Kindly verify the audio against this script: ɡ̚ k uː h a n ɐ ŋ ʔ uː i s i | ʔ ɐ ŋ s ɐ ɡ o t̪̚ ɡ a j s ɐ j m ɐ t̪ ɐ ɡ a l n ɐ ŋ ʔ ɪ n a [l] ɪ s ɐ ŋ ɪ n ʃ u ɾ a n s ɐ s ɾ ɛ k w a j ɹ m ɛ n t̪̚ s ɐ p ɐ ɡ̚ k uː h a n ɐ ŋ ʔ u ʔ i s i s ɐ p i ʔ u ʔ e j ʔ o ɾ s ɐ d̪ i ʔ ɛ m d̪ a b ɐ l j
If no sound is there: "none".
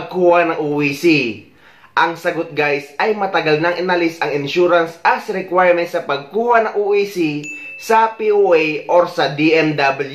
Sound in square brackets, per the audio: l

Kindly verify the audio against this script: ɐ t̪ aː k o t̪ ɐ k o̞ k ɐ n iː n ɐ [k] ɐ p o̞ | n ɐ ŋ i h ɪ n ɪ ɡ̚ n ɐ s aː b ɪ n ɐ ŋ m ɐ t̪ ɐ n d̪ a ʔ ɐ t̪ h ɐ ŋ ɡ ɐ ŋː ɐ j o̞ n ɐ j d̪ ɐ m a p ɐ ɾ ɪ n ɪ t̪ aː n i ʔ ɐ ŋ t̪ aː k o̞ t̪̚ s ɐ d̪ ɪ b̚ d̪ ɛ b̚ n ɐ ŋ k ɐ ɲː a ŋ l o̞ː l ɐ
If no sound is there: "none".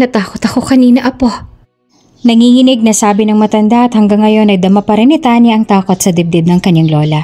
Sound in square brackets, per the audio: ʔ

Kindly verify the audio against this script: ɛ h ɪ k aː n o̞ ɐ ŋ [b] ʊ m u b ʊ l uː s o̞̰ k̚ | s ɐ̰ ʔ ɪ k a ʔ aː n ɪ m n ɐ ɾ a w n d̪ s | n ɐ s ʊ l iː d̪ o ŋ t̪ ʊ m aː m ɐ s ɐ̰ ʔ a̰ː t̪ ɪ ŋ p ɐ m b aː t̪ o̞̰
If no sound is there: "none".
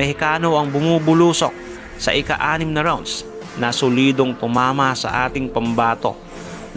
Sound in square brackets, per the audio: b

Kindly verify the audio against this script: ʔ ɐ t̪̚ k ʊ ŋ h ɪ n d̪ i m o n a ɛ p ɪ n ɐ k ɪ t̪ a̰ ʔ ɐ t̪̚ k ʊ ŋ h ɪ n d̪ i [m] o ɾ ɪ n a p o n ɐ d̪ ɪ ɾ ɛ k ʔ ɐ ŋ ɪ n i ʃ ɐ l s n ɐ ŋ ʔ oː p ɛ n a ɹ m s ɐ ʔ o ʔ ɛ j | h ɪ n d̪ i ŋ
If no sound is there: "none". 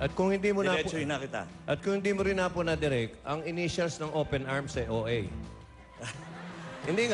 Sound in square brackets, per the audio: m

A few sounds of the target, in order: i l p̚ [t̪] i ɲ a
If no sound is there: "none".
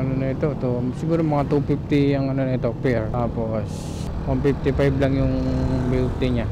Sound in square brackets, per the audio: t̪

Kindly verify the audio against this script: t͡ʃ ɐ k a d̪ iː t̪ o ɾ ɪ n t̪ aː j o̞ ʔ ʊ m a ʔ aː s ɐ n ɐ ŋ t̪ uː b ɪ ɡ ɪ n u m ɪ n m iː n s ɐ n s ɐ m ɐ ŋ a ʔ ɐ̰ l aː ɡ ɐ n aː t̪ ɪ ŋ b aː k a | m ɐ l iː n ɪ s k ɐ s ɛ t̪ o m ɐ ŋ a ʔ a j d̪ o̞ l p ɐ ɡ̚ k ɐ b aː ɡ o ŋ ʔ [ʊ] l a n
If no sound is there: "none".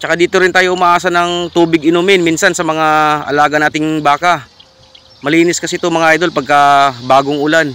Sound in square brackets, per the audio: ʊ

